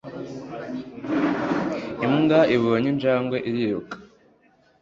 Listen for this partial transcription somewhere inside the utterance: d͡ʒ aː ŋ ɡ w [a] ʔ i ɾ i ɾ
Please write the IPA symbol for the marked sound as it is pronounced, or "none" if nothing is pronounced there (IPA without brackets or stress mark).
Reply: e